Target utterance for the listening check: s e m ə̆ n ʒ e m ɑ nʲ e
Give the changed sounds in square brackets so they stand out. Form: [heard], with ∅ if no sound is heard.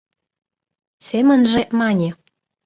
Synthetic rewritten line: s e m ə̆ n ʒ e m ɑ nʲ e